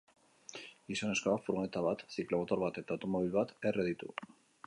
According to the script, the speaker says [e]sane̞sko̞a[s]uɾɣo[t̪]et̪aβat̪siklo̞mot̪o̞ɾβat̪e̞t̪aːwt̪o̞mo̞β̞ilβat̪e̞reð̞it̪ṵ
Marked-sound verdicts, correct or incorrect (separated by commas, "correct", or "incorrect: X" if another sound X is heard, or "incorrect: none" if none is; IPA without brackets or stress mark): incorrect: i, incorrect: f, incorrect: none